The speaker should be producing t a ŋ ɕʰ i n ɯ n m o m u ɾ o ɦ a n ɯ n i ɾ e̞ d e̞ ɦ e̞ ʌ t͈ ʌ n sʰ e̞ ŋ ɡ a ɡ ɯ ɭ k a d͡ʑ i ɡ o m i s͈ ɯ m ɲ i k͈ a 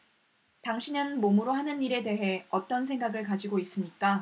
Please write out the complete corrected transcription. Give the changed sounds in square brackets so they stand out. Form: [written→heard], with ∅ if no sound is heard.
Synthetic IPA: t a ŋ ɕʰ i n ɯ n m o m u ɾ o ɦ a n ɯ n i ɾ e̞ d e̞ ɦ e̞ ʌ t͈ ʌ n sʰ e̞ ŋ ɡ a ɡ ɯ ɭ k a d͡ʑ i ɡ o [m→∅] i s͈ ɯ m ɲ i k͈ a